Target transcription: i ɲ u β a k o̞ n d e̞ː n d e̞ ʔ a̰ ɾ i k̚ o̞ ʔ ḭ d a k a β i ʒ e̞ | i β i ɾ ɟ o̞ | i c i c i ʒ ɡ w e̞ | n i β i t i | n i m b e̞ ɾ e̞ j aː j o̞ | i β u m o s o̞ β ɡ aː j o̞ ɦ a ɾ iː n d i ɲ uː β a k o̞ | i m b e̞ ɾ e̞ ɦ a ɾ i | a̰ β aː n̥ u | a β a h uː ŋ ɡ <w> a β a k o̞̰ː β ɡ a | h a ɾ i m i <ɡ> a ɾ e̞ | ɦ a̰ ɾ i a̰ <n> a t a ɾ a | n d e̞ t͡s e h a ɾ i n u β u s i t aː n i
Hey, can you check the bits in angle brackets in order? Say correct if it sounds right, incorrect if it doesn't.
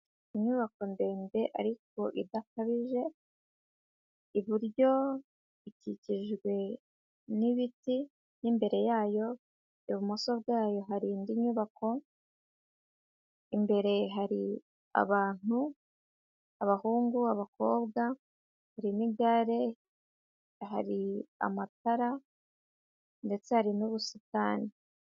incorrect, correct, incorrect

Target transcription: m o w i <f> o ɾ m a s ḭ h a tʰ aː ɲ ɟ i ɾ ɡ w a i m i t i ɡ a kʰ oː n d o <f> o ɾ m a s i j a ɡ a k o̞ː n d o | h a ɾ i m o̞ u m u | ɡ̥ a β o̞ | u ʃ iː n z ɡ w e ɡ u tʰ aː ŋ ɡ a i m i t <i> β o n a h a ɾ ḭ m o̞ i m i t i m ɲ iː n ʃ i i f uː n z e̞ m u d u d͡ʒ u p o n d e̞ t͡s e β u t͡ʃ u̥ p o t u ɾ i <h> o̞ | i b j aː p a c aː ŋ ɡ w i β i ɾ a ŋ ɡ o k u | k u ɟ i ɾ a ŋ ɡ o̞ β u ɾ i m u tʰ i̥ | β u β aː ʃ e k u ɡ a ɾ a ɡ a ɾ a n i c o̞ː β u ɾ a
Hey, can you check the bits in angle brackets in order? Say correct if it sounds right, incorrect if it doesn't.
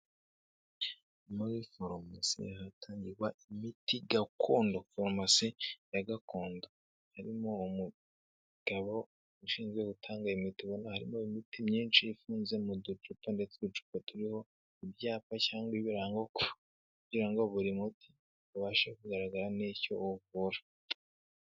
correct, correct, correct, correct

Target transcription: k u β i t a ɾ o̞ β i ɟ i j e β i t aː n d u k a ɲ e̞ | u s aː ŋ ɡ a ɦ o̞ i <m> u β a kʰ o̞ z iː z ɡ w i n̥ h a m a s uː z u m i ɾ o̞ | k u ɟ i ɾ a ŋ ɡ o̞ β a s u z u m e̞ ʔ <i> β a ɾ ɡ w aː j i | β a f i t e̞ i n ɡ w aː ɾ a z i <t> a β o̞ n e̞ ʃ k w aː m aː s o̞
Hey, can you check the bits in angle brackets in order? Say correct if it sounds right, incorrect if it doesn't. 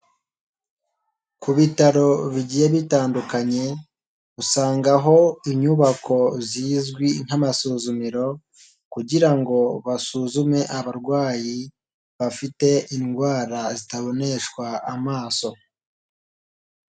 incorrect, incorrect, correct

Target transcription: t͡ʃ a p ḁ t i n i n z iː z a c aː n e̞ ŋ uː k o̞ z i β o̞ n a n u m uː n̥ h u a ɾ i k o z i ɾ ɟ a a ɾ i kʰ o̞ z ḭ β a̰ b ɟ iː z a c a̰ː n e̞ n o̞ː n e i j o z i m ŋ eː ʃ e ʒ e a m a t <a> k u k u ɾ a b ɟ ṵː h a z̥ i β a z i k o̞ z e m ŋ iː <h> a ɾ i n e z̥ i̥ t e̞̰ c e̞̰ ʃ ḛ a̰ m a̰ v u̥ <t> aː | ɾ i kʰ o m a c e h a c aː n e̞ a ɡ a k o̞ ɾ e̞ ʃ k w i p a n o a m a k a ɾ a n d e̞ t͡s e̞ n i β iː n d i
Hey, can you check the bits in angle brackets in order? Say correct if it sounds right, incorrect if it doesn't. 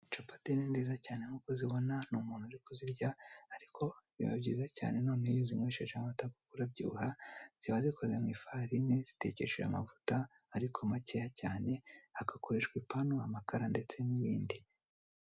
correct, incorrect, correct

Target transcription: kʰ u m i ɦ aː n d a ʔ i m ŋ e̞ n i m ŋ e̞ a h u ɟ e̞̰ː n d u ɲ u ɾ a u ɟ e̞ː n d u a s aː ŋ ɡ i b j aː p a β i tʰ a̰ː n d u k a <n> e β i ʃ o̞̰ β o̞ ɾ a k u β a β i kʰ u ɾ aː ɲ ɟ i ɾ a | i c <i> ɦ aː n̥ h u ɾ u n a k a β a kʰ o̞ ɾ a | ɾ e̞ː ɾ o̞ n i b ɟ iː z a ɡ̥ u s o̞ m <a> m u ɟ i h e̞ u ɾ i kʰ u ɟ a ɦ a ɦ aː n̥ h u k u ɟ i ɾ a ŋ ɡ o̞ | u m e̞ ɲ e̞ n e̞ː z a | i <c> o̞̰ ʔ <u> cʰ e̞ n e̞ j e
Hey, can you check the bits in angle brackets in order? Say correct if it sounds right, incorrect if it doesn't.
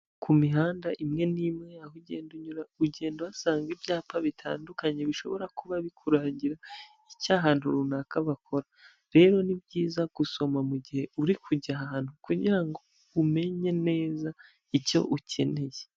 incorrect, incorrect, correct, correct, correct

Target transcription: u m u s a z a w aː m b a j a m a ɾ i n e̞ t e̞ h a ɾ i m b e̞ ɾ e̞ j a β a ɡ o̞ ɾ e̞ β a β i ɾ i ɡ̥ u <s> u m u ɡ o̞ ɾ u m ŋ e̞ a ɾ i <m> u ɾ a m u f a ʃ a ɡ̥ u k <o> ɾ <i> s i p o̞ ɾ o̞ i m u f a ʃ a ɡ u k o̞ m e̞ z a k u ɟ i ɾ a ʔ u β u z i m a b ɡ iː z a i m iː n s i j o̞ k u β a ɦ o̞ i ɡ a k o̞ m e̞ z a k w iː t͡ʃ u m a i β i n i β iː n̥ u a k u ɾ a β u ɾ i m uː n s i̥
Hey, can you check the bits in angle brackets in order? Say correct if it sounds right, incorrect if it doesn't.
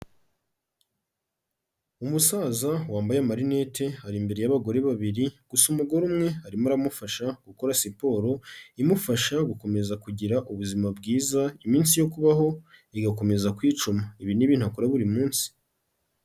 correct, correct, correct, incorrect

